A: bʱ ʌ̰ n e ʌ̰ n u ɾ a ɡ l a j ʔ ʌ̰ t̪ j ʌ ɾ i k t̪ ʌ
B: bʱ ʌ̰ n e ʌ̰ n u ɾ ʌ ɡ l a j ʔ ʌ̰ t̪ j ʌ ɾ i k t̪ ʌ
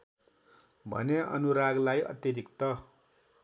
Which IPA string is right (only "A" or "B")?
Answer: A